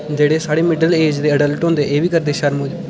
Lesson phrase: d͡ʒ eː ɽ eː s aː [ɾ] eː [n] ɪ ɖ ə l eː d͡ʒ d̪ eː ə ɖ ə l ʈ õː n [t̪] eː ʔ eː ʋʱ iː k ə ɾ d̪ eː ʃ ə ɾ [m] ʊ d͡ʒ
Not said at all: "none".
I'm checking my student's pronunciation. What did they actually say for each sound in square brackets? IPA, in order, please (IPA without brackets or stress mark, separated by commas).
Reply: ɽ, m, d̪, m